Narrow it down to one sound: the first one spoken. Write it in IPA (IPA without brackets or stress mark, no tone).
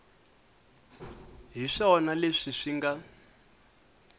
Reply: ɦ